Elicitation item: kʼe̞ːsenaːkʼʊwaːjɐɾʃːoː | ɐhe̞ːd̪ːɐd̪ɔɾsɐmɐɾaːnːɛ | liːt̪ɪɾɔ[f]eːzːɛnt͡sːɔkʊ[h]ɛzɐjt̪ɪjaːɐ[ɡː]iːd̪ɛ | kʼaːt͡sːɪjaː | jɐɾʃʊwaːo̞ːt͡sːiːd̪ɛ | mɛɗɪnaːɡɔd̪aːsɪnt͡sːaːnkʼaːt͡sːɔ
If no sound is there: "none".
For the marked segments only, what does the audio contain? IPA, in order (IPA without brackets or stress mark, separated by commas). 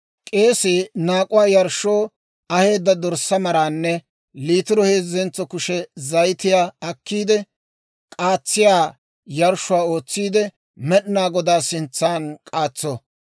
h, ʃ, kː